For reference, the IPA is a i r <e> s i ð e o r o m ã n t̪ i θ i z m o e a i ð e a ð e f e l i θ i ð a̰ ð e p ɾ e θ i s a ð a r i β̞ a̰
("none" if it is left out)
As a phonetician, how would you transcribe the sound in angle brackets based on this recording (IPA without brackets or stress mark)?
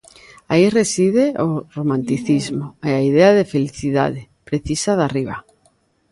e